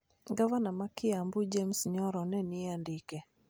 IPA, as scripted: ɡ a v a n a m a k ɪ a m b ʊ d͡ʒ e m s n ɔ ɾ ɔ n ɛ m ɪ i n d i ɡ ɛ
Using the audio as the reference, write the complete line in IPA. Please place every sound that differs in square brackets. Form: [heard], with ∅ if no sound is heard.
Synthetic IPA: ɡ a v a n a m a k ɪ a m b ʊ d͡ʒ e m s [ɲ] ɔ ɾ ɔ n ɛ [n] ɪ [a] n d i [k] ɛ